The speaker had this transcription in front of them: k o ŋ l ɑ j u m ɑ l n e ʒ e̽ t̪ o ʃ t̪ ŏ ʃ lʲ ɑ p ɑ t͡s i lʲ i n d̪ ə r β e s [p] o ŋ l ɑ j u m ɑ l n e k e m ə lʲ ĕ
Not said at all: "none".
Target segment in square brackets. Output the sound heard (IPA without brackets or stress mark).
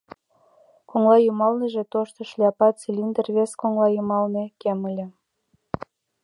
k